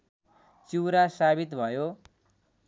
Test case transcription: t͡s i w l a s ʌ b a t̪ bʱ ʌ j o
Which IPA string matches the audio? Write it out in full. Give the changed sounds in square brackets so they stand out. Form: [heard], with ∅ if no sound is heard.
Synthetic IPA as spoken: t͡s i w [ɾ] a s [a] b [i] t̪ bʱ ʌ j o